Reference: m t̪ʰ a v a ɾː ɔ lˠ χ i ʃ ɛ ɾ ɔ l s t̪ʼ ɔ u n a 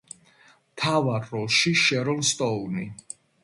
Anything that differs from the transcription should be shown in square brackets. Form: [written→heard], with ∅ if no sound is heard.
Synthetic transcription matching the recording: m t̪ʰ a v a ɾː ɔ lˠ [χ→ʃ] i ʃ ɛ ɾ ɔ l s t̪ʼ ɔ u n [a→i]